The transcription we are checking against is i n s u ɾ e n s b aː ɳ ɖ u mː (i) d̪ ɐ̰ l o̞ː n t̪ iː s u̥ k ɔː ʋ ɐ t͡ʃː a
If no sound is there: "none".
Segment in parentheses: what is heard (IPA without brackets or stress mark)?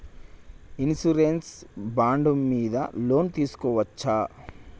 iː